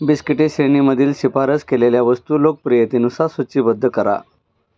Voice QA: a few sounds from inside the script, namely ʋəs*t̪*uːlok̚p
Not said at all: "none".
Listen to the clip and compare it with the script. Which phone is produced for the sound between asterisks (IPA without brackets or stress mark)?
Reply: t̪